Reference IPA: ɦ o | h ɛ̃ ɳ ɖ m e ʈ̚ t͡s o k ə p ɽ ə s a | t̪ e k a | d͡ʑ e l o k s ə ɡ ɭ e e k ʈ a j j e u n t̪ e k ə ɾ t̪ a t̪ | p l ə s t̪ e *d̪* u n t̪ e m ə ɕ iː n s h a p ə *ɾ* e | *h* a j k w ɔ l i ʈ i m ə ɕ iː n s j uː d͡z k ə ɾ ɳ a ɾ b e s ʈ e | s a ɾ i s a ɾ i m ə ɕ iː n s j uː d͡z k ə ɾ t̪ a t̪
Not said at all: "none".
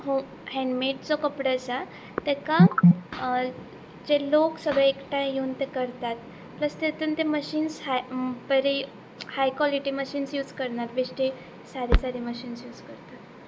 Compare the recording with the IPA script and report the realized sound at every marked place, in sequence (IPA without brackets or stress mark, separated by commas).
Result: t̪, ɾ, h